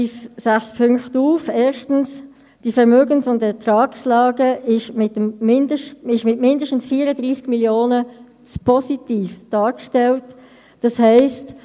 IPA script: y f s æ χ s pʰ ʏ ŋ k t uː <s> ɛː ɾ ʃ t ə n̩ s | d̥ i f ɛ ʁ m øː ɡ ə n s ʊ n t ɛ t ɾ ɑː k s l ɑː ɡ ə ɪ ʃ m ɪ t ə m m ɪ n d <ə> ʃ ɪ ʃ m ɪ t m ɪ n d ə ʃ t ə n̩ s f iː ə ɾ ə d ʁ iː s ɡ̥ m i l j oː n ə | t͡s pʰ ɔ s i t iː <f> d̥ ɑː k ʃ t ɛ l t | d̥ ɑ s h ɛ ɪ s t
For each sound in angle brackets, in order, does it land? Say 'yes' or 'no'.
no, yes, yes

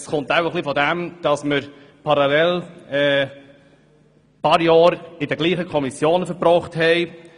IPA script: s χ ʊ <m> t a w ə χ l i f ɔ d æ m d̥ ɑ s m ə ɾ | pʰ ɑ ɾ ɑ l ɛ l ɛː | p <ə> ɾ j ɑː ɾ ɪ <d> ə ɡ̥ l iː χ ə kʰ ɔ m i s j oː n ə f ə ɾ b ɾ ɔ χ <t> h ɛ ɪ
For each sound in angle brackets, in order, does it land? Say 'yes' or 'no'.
no, no, yes, yes

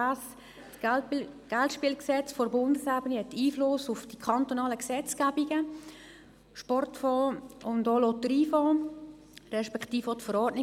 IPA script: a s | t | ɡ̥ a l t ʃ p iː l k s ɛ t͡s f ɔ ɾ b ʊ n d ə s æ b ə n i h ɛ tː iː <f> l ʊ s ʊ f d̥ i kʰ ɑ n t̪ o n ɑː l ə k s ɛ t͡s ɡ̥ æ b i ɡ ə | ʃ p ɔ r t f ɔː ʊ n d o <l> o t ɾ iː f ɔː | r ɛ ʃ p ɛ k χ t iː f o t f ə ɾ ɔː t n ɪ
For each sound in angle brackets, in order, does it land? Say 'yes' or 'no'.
yes, yes

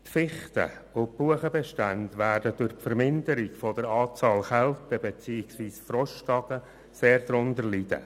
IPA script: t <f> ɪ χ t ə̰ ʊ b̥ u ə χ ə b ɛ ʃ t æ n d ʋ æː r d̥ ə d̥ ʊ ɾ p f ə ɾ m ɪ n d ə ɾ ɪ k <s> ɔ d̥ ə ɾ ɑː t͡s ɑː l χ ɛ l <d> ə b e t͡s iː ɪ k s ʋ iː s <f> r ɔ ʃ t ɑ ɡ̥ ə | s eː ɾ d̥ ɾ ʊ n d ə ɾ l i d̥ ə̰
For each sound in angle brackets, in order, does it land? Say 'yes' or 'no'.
yes, no, no, yes

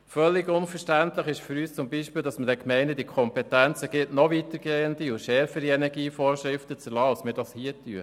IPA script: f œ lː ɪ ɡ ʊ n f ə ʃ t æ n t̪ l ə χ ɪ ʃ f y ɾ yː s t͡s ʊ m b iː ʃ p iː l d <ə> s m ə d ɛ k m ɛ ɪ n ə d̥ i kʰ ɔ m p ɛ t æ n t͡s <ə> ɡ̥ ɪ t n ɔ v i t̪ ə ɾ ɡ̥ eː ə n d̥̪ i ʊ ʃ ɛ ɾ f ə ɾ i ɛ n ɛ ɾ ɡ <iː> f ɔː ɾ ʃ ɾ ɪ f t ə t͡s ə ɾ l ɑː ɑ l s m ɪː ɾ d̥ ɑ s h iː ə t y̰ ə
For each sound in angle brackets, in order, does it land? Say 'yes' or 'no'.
no, yes, yes

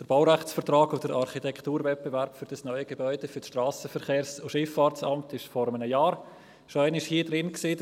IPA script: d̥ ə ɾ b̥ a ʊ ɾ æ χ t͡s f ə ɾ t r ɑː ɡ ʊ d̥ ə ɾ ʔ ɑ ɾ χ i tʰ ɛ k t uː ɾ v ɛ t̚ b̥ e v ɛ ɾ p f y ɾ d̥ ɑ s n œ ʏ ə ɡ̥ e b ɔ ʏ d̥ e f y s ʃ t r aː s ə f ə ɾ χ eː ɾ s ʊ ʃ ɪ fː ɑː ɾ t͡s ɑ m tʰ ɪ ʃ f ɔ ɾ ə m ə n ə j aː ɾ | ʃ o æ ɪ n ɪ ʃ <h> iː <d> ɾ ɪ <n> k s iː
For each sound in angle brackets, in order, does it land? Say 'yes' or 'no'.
yes, yes, yes

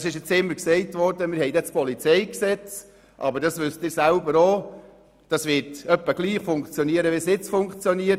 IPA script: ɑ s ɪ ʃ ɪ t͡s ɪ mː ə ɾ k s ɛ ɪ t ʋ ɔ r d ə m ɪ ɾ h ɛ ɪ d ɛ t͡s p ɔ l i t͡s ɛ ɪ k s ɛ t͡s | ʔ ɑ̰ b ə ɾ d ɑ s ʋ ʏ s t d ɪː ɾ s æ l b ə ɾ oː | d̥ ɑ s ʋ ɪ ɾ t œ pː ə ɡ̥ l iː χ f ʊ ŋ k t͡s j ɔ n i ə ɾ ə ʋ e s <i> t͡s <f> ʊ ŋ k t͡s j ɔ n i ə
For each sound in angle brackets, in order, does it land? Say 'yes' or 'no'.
no, yes

